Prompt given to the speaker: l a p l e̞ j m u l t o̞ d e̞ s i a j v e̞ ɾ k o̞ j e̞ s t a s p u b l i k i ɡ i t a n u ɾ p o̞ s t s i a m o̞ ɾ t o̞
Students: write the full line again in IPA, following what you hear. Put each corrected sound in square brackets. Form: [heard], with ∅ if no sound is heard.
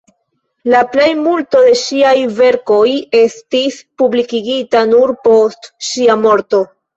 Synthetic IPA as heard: l a p l e̞ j m u l t o̞ d e̞ [ʃ] i a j v e̞ ɾ k o̞ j e̞ s t [i] s p u b l i k i ɡ i t a n u ɾ p o̞ s t [ʃ] i a m o̞ ɾ t o̞